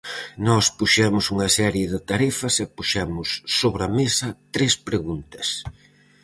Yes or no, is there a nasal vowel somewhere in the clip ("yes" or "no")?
no